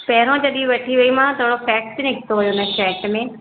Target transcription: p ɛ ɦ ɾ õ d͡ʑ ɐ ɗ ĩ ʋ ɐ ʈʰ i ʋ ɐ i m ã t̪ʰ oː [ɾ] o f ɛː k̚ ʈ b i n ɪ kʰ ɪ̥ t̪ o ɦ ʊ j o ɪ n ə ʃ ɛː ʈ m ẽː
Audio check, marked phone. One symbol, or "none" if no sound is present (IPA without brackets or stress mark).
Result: ɽ